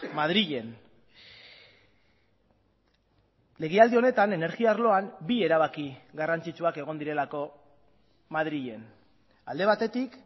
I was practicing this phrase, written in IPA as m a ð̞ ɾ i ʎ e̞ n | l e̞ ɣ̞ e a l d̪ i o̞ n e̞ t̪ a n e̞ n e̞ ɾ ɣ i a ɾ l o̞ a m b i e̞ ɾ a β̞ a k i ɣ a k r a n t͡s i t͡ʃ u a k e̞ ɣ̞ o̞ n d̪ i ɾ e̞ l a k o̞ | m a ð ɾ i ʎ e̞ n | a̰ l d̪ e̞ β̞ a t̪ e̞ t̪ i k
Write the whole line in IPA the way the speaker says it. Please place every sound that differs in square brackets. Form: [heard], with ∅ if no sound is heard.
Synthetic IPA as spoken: m a ð̞ ɾ i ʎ e̞ n | l e̞ ɣ̞ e a l d̪ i o̞ n e̞ t̪ a n e̞ n e̞ ɾ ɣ i a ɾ l o̞ a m b i e̞ ɾ a β̞ a k i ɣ a [∅] r a n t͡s i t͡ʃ u a k e̞ ɣ̞ o̞ n d̪ i ɾ e̞ l a k o̞ | m a ð ɾ i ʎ e̞ n | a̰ l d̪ e̞ β̞ a t̪ e̞ t̪ i k